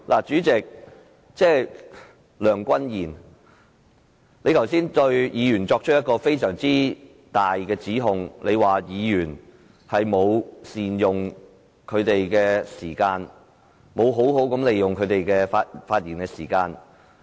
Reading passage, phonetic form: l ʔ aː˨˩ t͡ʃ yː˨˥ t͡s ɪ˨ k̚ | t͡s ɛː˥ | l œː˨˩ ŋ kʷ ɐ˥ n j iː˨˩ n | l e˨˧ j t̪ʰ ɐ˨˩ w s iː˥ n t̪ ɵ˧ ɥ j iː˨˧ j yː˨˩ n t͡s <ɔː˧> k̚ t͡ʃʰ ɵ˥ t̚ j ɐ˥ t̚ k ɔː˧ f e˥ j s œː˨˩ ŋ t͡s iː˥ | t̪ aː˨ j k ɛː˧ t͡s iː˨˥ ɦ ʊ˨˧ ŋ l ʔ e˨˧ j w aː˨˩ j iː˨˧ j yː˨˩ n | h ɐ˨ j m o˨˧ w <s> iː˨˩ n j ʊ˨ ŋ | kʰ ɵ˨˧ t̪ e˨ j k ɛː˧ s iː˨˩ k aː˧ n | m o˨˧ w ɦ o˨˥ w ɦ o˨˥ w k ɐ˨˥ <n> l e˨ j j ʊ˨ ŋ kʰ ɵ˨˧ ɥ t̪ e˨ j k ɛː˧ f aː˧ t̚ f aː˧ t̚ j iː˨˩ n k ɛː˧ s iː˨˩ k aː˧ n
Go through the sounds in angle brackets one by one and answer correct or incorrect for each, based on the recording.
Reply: correct, correct, incorrect

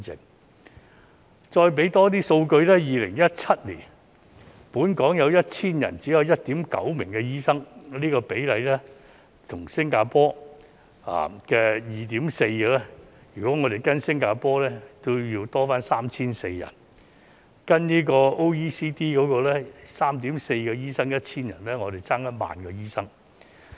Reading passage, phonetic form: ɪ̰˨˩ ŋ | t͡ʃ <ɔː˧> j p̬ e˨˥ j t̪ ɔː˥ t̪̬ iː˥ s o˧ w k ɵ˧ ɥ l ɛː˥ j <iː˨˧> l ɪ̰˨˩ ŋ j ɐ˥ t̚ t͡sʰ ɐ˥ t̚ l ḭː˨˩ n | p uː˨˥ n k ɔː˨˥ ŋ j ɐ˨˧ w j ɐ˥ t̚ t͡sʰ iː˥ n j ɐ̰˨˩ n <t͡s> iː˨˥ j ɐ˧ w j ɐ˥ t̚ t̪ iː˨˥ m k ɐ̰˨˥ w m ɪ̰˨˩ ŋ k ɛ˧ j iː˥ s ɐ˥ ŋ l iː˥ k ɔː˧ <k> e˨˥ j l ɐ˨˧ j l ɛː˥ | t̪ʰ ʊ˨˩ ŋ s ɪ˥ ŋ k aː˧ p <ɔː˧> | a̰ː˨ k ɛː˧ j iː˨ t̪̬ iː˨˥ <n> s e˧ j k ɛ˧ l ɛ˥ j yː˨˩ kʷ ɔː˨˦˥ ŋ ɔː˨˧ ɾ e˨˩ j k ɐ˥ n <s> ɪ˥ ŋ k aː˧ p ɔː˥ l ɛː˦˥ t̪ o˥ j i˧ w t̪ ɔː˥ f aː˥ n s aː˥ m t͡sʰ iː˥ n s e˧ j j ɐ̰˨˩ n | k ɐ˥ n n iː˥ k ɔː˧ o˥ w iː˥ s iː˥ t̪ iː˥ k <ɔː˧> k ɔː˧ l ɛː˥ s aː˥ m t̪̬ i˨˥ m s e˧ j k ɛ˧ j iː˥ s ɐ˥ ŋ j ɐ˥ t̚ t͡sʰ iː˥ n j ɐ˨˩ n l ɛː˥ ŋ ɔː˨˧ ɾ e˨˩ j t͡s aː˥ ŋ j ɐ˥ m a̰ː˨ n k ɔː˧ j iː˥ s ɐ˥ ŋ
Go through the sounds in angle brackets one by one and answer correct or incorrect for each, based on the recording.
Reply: correct, correct, correct, incorrect, incorrect, incorrect, correct, incorrect

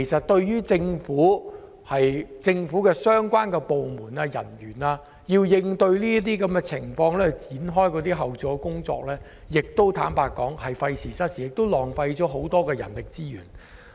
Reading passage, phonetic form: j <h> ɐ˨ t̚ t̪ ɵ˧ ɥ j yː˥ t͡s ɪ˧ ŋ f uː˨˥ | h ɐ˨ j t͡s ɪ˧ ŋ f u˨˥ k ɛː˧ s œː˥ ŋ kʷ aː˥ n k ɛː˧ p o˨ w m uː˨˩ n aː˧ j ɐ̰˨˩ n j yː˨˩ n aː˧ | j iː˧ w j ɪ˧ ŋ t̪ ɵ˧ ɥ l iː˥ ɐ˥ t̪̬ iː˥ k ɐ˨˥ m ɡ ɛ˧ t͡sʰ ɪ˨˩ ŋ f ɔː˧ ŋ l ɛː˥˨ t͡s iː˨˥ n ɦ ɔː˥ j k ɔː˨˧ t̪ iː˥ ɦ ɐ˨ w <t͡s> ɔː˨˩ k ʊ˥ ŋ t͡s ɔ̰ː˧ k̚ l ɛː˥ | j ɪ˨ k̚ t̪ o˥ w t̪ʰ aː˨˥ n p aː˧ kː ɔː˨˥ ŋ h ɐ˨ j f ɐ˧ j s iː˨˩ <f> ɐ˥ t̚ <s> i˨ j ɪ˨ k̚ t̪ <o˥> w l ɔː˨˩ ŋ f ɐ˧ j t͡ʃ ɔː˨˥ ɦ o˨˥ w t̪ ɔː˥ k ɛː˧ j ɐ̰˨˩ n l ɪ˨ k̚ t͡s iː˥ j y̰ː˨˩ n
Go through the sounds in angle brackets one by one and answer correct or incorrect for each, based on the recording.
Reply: incorrect, correct, incorrect, correct, correct

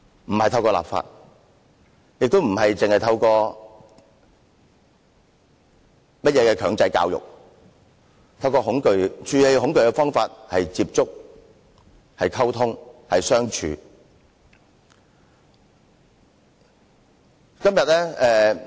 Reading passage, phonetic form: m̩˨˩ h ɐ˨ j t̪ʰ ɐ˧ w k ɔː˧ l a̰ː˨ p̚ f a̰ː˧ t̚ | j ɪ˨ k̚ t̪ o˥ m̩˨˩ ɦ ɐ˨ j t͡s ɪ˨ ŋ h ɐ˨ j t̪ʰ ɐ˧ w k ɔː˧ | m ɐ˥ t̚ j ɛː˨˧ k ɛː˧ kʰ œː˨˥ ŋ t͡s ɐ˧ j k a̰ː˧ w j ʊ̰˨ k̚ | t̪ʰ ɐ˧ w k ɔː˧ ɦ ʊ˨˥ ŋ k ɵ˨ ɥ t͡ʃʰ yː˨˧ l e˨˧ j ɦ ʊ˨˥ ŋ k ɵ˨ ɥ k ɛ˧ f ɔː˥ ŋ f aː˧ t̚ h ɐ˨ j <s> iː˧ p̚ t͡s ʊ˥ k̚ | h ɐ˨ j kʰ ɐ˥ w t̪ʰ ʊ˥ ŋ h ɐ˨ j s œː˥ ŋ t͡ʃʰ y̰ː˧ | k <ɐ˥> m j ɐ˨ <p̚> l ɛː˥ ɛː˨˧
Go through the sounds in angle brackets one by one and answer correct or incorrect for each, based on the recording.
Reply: incorrect, correct, incorrect

